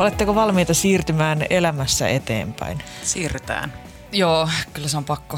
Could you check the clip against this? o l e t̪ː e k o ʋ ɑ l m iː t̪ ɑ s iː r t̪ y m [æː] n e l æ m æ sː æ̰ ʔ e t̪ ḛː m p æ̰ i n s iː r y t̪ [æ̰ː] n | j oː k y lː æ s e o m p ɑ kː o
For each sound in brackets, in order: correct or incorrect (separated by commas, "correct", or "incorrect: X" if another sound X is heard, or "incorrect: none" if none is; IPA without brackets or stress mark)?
correct, correct